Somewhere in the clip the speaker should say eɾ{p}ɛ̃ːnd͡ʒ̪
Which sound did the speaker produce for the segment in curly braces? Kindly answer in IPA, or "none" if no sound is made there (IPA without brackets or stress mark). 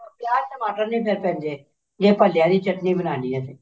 p